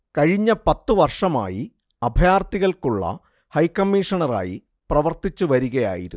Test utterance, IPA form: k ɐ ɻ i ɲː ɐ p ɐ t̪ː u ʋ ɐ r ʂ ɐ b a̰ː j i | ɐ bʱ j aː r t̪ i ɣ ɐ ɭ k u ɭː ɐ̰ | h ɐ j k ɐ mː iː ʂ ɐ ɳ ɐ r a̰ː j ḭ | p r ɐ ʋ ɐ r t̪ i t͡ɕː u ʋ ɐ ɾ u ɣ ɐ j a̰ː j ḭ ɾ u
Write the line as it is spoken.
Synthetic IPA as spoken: k ɐ ɻ i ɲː ɐ p ɐ t̪ː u ʋ ɐ r ʂ ɐ m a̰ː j i | ɐ bʱ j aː r t̪ i ɣ ɐ ɭ k u ɭː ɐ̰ | h ɐ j k ɐ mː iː ʂ ɐ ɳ ɐ r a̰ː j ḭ | p r ɐ ʋ ɐ r t̪ i t͡ɕː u ʋ ɐ ɾ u ɣ ɐ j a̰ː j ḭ ɾ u